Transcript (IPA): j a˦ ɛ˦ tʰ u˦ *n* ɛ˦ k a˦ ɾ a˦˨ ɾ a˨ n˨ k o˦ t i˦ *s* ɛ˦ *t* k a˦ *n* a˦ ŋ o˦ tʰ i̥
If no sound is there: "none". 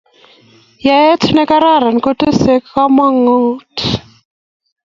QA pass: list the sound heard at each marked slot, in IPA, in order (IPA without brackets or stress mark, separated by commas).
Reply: n, s, k, m